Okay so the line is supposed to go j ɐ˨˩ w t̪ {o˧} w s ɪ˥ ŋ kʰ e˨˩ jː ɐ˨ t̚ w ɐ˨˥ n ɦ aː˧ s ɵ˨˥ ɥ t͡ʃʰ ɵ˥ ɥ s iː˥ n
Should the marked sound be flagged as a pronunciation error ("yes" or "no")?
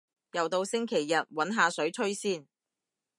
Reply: no